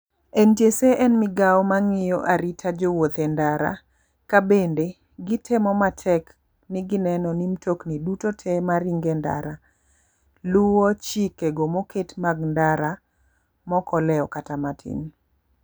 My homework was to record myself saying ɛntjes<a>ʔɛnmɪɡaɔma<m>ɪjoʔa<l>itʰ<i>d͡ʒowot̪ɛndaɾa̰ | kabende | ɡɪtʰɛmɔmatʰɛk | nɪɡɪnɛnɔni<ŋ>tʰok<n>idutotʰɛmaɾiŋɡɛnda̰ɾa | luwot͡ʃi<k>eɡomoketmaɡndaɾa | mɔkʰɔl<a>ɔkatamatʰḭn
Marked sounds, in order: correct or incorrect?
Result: incorrect: e, incorrect: ŋ, incorrect: ɾ, incorrect: a, incorrect: m, correct, correct, incorrect: ɛ

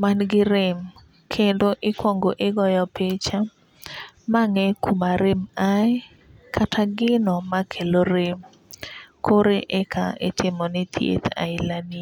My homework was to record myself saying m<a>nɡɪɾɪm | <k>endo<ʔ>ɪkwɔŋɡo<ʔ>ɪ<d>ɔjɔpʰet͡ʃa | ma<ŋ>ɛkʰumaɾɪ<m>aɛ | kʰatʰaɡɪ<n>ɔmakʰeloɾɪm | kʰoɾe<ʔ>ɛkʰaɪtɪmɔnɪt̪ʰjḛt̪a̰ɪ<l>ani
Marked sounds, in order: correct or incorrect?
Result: correct, incorrect: kʰ, correct, correct, incorrect: ɡ, correct, correct, correct, correct, correct

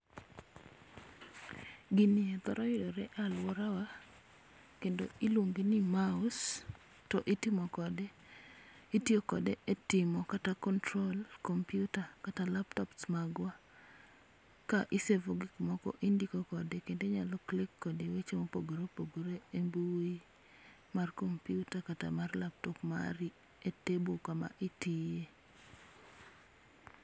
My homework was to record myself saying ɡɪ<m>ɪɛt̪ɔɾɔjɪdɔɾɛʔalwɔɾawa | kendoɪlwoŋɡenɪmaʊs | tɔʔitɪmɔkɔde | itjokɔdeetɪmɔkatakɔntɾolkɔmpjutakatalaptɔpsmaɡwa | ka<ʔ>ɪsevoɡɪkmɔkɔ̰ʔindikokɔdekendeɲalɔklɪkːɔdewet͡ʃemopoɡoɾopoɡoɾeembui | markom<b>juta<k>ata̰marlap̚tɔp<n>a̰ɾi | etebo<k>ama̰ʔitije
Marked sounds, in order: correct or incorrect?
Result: incorrect: n, correct, incorrect: p, correct, incorrect: m, correct

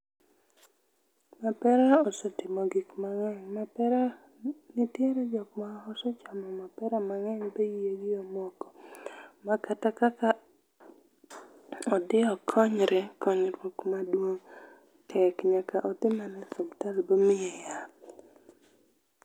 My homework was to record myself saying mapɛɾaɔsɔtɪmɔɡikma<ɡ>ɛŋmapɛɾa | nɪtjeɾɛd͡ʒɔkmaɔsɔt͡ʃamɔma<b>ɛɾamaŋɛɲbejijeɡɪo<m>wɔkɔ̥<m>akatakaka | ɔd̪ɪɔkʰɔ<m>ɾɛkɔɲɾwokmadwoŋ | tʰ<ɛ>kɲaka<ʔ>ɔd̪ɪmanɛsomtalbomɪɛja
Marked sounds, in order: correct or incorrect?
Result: incorrect: ŋ, incorrect: p, correct, correct, incorrect: ɲ, correct, correct

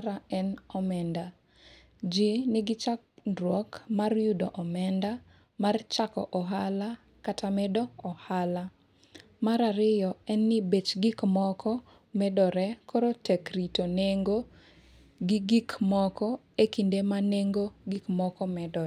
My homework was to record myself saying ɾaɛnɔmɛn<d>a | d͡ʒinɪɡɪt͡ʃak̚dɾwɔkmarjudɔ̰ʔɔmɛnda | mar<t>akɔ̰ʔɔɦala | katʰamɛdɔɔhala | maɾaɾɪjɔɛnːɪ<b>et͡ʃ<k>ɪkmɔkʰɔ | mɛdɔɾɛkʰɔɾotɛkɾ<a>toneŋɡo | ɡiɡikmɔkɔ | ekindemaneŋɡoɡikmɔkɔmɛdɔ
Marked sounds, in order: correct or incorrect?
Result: correct, incorrect: t͡ʃ, correct, incorrect: ɡ, incorrect: i

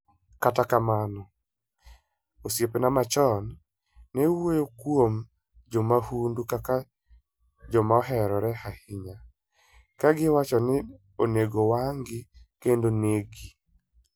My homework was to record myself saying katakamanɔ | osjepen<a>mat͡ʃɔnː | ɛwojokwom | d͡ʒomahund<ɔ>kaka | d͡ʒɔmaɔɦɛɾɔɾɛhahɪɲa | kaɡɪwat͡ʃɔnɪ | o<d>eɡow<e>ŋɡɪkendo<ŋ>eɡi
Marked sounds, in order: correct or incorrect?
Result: correct, incorrect: u, incorrect: n, incorrect: a, incorrect: n

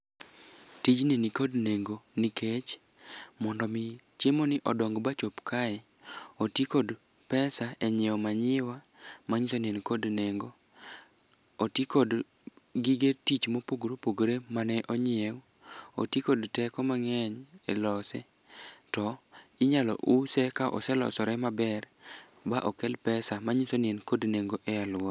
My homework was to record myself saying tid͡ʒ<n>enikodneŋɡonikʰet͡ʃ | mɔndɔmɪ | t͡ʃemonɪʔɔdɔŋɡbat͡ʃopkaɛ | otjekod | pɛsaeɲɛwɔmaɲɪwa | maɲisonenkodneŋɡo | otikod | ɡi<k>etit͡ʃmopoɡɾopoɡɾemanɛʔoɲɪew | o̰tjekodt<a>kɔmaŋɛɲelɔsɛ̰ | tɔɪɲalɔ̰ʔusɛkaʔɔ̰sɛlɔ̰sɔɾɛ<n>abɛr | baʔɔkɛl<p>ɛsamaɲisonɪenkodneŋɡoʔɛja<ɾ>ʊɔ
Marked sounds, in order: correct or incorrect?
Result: correct, incorrect: ɡ, incorrect: ɛ, incorrect: m, correct, incorrect: l

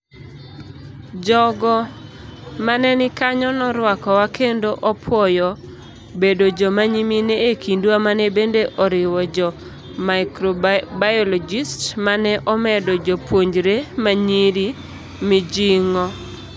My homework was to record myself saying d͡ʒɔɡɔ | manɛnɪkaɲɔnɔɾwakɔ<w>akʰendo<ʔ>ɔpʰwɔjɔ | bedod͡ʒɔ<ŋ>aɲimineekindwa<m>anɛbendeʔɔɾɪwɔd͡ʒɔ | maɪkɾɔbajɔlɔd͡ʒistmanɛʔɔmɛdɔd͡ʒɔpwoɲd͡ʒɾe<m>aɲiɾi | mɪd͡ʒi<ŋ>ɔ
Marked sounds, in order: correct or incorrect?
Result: correct, correct, incorrect: m, correct, correct, correct

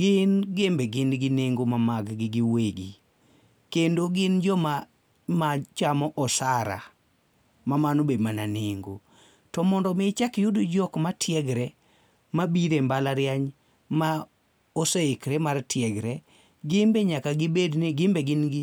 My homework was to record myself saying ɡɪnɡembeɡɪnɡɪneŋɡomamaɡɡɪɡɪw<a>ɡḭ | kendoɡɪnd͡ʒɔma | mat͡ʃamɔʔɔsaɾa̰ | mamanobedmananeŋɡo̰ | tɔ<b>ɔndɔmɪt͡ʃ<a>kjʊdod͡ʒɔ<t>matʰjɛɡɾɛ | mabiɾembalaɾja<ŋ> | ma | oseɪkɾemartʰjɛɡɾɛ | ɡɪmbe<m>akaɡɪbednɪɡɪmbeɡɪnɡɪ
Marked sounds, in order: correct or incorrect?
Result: incorrect: e, incorrect: m, correct, incorrect: k, incorrect: ɲ, incorrect: ɲ

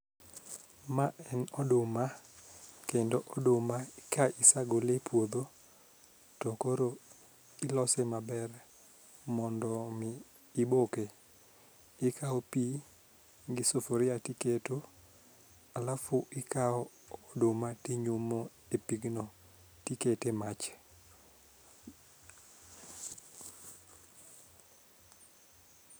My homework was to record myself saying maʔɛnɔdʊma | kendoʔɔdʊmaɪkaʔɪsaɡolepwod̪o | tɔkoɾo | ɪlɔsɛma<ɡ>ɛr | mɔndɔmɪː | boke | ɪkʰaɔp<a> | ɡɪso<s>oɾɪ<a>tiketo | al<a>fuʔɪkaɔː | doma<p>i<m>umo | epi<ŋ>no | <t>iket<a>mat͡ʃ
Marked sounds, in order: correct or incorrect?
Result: incorrect: b, incorrect: i, incorrect: f, correct, correct, incorrect: t, incorrect: ɲ, incorrect: ɡ, correct, incorrect: e

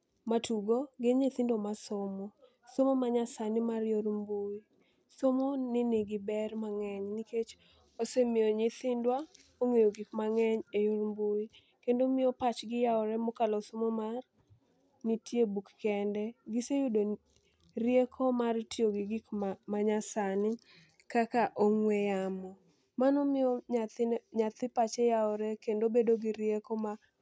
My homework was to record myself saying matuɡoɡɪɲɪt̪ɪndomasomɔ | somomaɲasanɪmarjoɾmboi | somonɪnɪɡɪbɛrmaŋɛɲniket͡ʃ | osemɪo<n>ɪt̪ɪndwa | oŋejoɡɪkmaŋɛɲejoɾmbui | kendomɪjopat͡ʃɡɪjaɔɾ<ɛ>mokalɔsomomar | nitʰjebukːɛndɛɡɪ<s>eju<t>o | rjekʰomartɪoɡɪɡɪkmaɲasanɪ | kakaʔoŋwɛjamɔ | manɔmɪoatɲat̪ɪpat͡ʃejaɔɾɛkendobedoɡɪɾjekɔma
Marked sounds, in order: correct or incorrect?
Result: incorrect: ɲ, correct, correct, incorrect: d

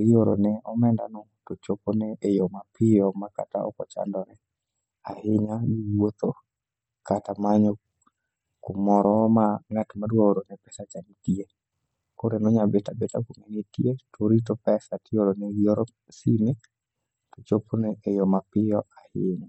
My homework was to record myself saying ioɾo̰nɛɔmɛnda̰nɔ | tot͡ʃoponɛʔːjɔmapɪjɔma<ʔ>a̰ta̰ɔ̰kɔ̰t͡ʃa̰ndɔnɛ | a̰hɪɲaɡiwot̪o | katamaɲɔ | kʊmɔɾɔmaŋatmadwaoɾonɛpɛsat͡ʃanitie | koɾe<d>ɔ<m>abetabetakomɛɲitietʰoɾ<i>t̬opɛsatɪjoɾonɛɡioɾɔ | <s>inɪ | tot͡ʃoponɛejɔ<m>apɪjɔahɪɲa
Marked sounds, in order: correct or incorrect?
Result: incorrect: k, incorrect: n, incorrect: ɲ, correct, correct, correct

